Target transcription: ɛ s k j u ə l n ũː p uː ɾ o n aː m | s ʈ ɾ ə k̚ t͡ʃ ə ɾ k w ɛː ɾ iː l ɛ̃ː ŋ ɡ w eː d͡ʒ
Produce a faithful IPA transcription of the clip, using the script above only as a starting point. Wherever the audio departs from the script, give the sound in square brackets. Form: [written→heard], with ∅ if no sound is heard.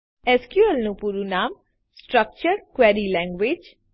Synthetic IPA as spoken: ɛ s k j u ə l n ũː p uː ɾ [o→u] n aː m | s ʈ ɾ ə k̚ t͡ʃ ə ɾ k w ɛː ɾ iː l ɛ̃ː ŋ ɡ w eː d͡ʒ